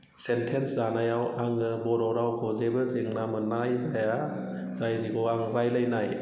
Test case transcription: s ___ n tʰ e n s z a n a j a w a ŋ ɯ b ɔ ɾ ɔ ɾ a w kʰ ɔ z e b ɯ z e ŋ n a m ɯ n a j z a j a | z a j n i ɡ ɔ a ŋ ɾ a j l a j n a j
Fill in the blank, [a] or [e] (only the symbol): e